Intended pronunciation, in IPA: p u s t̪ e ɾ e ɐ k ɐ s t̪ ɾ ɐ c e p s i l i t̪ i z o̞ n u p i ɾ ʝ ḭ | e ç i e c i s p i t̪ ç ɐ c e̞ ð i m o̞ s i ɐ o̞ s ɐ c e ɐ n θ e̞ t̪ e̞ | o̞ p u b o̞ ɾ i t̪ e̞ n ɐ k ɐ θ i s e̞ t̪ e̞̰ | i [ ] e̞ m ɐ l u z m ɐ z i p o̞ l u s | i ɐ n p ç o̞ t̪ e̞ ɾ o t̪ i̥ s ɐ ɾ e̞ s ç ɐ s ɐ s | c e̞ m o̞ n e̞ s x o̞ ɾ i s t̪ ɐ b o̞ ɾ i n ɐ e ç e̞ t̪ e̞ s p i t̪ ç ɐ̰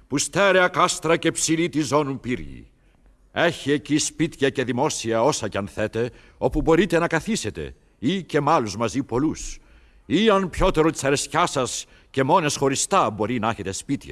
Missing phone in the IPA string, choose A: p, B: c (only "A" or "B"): B